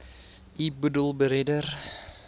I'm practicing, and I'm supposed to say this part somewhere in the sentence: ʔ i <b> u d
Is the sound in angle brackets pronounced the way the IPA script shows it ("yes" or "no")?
yes